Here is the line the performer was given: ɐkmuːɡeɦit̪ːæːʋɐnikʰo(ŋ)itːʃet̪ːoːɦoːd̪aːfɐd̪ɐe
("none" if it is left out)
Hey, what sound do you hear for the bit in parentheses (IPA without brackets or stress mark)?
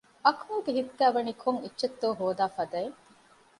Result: ŋ